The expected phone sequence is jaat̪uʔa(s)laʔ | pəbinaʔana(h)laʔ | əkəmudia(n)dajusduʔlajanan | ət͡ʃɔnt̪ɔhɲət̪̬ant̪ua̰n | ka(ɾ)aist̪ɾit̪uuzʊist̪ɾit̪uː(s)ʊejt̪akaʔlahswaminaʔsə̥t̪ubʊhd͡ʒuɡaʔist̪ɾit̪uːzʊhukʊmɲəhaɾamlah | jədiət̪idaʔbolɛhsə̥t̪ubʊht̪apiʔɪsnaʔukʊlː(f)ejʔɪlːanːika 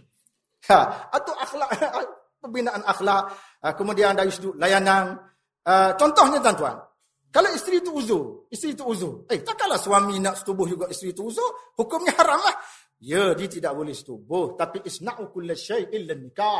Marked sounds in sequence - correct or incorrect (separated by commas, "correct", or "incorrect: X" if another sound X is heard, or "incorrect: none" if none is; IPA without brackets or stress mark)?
incorrect: x, incorrect: x, correct, incorrect: l, incorrect: z, incorrect: ʃ